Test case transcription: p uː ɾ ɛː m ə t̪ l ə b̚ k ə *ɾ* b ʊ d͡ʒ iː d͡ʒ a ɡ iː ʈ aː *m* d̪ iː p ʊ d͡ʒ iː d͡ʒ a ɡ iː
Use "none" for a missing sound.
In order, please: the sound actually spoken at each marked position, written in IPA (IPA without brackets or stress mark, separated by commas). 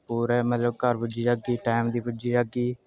ɾ, m